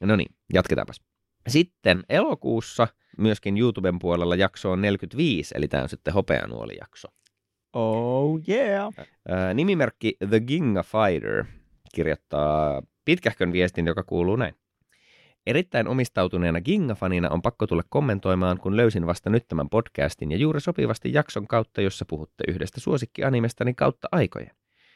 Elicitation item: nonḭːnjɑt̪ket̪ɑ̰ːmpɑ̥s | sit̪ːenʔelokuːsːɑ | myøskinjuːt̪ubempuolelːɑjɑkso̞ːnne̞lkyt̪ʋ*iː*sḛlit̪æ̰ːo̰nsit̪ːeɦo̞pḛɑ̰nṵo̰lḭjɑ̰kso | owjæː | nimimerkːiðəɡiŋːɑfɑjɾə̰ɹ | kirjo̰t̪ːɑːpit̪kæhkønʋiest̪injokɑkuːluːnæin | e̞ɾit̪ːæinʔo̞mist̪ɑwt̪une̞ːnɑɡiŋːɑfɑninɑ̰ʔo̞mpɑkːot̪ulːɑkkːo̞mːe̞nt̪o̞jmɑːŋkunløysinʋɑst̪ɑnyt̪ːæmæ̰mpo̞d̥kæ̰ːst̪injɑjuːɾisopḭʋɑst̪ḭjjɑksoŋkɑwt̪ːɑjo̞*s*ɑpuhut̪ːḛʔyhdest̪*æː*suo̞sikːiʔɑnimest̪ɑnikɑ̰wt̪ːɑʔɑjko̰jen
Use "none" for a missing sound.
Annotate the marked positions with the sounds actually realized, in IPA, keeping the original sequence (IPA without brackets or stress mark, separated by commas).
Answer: iː, sː, æ